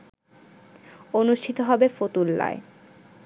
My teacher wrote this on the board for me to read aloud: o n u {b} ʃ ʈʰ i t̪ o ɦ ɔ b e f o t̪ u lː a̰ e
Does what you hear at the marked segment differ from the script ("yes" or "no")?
yes